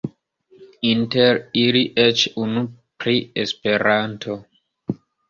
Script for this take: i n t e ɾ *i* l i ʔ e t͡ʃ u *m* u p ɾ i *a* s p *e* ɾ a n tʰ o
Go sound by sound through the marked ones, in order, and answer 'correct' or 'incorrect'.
correct, incorrect: n, incorrect: e, correct

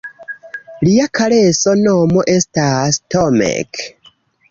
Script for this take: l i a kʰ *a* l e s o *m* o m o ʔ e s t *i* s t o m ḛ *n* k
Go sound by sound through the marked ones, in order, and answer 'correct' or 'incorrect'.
correct, incorrect: n, incorrect: a, incorrect: none

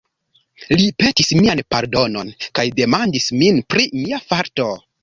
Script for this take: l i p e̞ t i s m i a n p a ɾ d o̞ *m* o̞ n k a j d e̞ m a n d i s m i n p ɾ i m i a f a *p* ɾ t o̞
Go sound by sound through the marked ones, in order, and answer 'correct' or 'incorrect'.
incorrect: n, incorrect: none

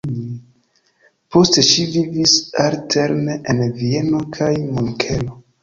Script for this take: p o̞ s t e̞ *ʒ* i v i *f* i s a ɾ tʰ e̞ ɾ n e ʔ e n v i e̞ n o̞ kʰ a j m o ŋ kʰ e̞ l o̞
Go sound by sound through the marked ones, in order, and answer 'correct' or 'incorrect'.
incorrect: ʃ, incorrect: v

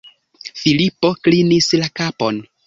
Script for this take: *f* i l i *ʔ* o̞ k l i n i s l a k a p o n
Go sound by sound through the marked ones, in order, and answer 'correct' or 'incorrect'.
correct, incorrect: p

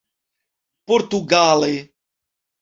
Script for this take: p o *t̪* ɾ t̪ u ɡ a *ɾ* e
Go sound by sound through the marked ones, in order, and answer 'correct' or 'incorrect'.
incorrect: none, incorrect: l

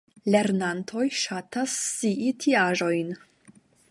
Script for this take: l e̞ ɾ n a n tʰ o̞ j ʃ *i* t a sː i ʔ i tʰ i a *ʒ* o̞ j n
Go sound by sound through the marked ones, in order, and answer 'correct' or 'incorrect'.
incorrect: a, correct

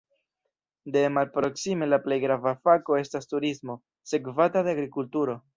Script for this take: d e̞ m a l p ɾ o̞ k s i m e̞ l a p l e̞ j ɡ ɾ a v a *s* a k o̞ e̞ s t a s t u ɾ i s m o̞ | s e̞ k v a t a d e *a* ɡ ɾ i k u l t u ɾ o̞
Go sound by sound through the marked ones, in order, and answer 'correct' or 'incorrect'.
incorrect: f, correct

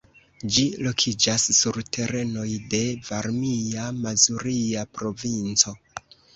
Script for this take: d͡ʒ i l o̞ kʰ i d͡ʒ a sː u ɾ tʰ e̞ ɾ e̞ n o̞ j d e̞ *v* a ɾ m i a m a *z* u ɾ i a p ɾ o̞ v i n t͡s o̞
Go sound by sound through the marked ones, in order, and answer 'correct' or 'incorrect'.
correct, correct

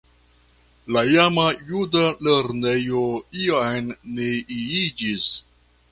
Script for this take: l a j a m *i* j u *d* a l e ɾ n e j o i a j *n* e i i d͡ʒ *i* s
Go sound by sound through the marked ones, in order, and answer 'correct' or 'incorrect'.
incorrect: a, correct, incorrect: nː, correct

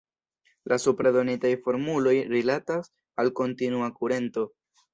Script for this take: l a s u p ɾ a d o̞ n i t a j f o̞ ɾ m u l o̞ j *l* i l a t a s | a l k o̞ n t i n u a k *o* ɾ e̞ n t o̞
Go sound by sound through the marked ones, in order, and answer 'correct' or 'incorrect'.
incorrect: ɾ, incorrect: u

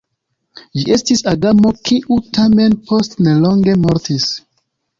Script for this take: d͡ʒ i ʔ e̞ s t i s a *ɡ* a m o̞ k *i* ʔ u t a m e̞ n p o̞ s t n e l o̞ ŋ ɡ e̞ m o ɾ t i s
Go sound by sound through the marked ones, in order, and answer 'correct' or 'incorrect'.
correct, correct

